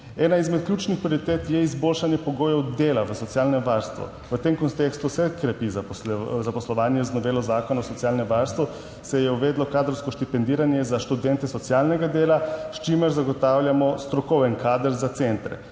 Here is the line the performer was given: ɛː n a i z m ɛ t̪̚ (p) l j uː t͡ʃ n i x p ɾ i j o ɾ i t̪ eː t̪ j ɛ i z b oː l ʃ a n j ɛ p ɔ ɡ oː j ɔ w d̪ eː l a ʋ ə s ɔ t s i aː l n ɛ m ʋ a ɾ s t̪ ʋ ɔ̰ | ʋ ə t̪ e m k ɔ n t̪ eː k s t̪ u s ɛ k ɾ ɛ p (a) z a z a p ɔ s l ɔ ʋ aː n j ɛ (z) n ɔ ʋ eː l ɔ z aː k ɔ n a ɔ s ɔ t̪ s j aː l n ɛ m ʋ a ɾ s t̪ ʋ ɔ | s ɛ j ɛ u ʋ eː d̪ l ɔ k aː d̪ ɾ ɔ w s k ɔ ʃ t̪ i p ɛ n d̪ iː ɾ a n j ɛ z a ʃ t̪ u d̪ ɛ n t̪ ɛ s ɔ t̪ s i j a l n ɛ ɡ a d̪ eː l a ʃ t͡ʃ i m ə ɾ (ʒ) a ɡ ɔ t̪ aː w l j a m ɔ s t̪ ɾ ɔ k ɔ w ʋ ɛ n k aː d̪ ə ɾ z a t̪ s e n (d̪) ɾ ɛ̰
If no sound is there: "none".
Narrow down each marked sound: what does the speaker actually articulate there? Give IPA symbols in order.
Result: k, i, z, z, t̪

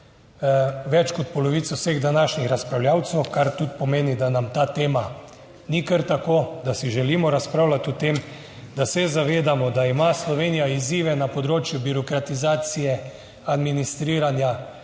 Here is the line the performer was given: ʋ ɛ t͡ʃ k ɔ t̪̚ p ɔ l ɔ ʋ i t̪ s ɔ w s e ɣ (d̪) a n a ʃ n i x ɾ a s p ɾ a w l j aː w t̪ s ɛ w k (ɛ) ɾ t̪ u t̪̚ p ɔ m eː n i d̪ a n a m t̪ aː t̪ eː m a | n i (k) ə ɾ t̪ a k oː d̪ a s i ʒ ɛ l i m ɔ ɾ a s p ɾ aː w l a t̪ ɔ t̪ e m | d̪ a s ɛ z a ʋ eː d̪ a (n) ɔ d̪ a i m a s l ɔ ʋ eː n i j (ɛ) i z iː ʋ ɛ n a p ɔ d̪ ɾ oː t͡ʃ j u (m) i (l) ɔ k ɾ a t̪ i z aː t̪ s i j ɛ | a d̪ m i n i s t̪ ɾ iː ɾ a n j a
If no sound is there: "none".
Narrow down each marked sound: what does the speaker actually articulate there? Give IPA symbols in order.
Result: d̪, a, k, m, a, b, ɾ

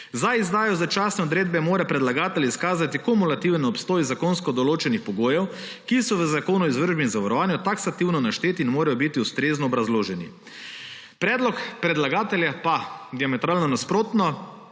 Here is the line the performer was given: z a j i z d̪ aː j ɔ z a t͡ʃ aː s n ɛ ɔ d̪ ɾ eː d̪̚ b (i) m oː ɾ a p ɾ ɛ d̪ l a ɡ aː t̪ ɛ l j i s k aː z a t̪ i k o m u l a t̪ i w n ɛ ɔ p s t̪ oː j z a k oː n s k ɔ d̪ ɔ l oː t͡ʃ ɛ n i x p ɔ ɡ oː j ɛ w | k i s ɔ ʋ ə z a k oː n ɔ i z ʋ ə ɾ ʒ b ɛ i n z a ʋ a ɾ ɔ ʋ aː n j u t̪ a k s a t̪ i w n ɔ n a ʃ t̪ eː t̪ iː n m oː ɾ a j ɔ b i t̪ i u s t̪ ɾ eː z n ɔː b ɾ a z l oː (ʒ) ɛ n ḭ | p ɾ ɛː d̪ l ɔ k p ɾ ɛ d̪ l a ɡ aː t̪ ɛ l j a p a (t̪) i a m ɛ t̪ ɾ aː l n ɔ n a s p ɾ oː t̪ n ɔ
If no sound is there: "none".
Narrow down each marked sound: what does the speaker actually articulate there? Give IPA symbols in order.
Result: ɛ, ʒ, d̪

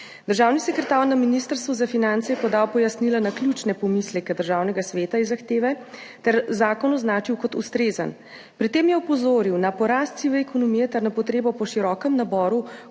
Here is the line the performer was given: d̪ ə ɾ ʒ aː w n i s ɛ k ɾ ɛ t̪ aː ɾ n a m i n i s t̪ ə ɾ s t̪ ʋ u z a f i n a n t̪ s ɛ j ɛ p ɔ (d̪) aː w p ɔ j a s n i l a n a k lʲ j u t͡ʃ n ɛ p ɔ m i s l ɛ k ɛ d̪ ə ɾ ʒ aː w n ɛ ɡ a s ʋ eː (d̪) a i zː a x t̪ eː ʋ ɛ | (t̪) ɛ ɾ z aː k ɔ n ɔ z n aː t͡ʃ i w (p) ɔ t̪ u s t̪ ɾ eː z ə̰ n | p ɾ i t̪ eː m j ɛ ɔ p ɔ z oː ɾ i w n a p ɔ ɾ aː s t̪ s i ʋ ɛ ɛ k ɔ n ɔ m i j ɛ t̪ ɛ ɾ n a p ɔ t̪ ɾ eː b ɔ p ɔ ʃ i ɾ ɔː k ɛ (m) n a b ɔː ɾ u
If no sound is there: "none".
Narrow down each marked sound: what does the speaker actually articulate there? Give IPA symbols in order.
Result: d̪, t̪, t̪, k, m

